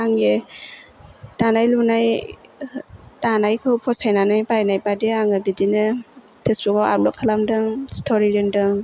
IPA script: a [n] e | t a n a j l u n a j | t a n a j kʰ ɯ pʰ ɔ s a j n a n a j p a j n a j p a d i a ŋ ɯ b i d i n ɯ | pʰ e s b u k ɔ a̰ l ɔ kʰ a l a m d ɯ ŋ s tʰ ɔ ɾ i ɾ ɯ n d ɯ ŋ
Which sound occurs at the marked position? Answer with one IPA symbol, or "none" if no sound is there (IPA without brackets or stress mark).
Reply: ŋ